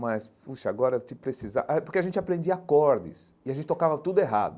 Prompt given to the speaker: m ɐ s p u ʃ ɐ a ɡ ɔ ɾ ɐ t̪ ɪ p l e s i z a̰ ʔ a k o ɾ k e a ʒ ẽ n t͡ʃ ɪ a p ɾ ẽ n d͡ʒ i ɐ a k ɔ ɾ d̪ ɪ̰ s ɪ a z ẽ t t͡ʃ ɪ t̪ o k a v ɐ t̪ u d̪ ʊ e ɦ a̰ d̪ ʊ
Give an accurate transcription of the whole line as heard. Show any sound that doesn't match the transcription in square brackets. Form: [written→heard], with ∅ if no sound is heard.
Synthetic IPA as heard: m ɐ s p u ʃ ɐ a ɡ ɔ ɾ ɐ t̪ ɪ p [l→ɾ] e s i z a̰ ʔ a [k→p] o ɾ k e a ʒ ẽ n t͡ʃ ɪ a p ɾ ẽ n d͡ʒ i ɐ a k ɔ ɾ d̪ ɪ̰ s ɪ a [z→ʒ] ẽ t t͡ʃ ɪ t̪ o k a v ɐ t̪ u d̪ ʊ e ɦ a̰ d̪ ʊ